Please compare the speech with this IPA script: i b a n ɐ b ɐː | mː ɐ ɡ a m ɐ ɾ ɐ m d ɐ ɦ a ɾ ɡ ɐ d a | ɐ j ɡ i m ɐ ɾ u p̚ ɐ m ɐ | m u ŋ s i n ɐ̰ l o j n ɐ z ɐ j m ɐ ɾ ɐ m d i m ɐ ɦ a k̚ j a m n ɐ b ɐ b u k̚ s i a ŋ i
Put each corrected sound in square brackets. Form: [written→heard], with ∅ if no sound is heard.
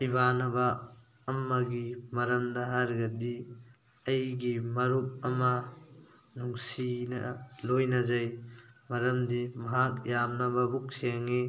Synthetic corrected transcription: i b a n ɐ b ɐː | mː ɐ ɡ [a→i] m ɐ ɾ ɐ m d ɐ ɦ a ɾ ɡ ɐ d [a→i] | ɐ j ɡ i m ɐ ɾ u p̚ ɐ m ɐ | [m→n] u ŋ s i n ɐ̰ l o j n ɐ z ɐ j m ɐ ɾ ɐ m d i m ɐ ɦ a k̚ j a m n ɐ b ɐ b u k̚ s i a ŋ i